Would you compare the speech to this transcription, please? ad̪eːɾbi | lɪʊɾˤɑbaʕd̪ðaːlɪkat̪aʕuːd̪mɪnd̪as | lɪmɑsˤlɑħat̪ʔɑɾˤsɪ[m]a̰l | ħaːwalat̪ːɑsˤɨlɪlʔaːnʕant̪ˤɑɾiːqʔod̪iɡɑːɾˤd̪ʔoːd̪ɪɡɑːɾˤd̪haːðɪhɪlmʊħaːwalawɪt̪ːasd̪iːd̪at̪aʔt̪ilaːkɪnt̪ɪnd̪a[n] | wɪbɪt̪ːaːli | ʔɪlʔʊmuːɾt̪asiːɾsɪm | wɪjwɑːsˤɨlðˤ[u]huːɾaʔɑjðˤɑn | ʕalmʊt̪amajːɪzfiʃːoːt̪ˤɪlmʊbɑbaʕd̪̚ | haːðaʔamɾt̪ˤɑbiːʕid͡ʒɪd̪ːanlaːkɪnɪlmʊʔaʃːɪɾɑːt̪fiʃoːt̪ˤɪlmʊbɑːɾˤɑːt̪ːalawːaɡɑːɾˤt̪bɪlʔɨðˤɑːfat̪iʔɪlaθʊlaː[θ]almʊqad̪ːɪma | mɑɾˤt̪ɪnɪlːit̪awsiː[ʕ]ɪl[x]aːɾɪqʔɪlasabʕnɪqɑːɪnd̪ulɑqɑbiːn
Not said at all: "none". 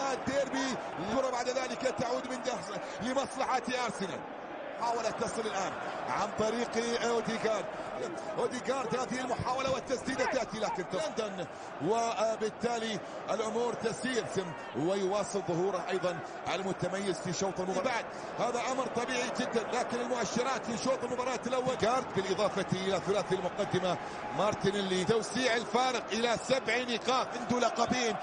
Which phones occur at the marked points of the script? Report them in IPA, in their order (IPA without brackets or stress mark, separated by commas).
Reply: n, n, ʊ, θ, ʕ, f